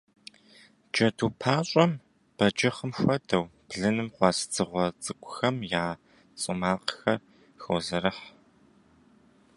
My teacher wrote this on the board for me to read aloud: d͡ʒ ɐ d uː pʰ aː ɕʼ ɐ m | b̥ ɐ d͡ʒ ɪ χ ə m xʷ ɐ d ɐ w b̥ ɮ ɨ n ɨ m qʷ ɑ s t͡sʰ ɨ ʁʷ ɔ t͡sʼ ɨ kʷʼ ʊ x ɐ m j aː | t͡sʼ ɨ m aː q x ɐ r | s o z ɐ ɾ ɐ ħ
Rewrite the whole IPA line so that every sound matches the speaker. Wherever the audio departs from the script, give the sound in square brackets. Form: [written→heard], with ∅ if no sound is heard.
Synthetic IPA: d͡ʒ ɐ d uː pʰ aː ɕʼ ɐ m | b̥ ɐ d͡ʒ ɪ χ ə m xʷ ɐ d ɐ w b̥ ɮ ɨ n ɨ m qʷ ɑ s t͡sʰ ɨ ʁʷ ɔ t͡sʼ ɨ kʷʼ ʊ x ɐ m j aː | t͡sʼ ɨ m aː q x ɐ r | [s→x] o z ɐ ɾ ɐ ħ

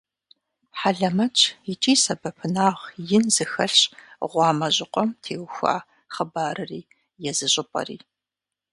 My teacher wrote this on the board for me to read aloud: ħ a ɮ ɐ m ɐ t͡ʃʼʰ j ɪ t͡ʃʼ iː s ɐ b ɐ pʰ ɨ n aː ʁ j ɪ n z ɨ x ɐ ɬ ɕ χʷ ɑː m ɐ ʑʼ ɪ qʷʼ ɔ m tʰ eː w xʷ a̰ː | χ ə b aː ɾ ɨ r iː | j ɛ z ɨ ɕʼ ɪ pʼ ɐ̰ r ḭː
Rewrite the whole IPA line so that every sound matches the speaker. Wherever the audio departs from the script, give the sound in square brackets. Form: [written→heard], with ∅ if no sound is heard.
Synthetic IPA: ħ a ɮ ɐ m ɐ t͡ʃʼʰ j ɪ t͡ʃʼ iː s ɐ b ɐ pʰ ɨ n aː ʁ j ɪ n z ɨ x ɐ ɬ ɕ [χʷ→ʁʷ] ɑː m ɐ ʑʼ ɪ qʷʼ ɔ m tʰ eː w xʷ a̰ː | χ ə b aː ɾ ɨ r iː | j ɛ z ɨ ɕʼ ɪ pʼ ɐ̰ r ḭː

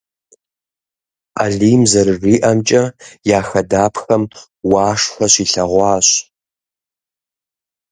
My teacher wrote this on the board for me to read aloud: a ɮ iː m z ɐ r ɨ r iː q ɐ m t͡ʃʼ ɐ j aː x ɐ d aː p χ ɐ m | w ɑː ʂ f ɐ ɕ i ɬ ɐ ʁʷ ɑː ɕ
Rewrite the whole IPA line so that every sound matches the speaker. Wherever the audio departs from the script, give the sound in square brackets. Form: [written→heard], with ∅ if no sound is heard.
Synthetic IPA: a ɮ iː m z ɐ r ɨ r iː [q→ʔ] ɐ m t͡ʃʼ ɐ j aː x ɐ d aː p [χ→x] ɐ m | w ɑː ʂ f ɐ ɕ i ɬ ɐ ʁʷ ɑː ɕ

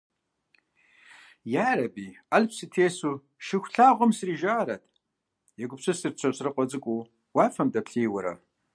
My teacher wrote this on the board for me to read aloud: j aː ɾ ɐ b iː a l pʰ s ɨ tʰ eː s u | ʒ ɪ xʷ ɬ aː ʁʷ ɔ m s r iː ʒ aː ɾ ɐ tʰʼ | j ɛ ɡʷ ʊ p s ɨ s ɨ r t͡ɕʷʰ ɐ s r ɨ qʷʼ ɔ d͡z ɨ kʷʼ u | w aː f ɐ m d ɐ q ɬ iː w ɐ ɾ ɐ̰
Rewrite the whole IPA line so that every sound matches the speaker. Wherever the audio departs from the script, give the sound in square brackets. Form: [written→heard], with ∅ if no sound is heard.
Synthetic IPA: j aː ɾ ɐ b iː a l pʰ s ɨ tʰ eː s u | [ʒ→ʃ] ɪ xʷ ɬ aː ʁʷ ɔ m s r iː ʒ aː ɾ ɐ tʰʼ | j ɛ ɡʷ ʊ p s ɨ s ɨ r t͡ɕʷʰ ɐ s r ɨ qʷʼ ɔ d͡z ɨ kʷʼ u | w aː f ɐ m d ɐ [q→p] ɬ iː w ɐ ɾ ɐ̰

